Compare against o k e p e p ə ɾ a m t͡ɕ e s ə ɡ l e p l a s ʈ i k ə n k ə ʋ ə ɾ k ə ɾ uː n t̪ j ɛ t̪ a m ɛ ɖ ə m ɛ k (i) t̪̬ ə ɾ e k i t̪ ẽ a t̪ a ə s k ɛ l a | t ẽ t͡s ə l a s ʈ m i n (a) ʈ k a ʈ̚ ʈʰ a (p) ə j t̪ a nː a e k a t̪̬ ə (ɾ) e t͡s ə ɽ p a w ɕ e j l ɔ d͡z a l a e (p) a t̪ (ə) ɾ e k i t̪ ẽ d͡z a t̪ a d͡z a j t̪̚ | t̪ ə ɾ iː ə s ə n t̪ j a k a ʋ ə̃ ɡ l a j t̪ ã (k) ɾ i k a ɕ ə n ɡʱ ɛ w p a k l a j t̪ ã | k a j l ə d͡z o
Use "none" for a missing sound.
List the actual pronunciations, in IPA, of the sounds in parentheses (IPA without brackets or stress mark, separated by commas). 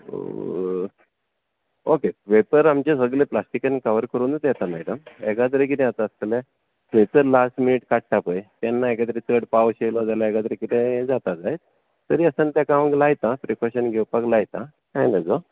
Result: a, i, p, ɾ, k, ə, p